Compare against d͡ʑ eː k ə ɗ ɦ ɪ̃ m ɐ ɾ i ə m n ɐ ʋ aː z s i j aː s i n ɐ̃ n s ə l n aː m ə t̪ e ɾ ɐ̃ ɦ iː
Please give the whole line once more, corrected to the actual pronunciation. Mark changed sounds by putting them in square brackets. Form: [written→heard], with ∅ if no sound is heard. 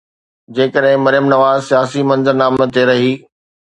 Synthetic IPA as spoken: d͡ʑ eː k ə ɗ ɦ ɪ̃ m ɐ ɾ [i→j] ə m n ɐ ʋ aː z s i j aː s i [n→m] ɐ̃ n [s→z] ə [l→ɾ] n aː m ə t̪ e ɾ [ɐ̃→ɐ] ɦ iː